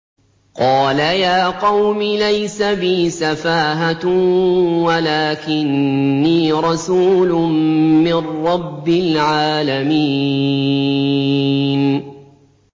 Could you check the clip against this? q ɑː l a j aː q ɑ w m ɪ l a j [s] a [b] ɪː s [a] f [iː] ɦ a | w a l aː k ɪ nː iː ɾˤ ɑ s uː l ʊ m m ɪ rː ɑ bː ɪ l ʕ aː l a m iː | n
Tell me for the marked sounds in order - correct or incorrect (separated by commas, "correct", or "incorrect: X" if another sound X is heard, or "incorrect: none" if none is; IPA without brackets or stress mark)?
correct, correct, correct, incorrect: aː